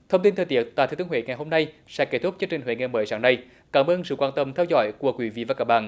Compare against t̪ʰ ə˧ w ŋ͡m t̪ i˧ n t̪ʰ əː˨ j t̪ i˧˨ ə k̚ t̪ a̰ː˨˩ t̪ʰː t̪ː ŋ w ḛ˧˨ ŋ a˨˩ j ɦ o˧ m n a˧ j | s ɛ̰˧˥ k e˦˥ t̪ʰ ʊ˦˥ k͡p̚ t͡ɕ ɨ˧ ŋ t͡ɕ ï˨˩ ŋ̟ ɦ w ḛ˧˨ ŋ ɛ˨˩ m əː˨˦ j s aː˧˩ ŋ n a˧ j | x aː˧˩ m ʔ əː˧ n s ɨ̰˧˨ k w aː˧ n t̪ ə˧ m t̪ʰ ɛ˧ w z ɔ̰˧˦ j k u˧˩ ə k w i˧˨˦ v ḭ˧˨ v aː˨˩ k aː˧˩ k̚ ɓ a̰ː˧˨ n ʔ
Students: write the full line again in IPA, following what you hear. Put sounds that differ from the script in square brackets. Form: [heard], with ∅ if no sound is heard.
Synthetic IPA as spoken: t̪ʰ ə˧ w ŋ͡m t̪ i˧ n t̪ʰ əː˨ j t̪ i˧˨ ə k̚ t̪ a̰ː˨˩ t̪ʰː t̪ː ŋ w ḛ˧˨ ŋ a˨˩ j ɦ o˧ m n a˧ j | s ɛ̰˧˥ k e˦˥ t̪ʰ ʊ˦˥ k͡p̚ t͡ɕ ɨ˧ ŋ t͡ɕ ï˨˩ ŋ̟ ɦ w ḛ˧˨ ŋ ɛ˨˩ m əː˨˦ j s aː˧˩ ŋ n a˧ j | [k] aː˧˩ m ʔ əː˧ n s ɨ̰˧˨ k w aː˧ n t̪ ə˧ m t̪ʰ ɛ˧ w z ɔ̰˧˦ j k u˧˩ ə k w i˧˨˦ v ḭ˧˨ v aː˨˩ k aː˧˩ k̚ ɓ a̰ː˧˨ n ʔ